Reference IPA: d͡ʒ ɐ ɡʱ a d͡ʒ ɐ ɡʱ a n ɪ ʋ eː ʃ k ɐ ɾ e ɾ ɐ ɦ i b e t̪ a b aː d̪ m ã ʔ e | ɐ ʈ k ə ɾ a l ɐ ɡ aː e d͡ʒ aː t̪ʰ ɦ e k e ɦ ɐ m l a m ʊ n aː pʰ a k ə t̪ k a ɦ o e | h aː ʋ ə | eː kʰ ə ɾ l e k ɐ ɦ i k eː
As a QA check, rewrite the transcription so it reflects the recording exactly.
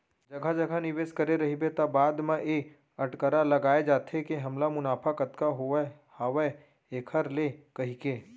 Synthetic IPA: d͡ʒ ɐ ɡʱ a d͡ʒ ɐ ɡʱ a n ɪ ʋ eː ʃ k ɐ ɾ e ɾ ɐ ɦ i b e t̪ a b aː d̪ m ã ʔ e | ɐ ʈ k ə ɾ a l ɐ ɡ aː e d͡ʒ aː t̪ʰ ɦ e k e ɦ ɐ m l a m ʊ n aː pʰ a k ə t̪ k a ɦ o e | h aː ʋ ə | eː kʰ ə ɾ l e k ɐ ɦ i k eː